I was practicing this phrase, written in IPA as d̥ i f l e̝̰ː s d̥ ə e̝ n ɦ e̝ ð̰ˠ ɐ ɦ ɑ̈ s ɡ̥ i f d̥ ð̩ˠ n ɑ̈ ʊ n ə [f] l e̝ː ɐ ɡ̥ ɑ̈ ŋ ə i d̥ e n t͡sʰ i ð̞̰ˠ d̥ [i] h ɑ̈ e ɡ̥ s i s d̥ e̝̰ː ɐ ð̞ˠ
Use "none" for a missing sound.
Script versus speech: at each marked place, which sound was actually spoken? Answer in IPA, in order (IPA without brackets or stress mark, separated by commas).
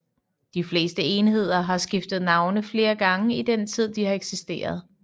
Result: f, i